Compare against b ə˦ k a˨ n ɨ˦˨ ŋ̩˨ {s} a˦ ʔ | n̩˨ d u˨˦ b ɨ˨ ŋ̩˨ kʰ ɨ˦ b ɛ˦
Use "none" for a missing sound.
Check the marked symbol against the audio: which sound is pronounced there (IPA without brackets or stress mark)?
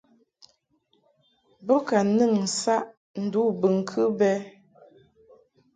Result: s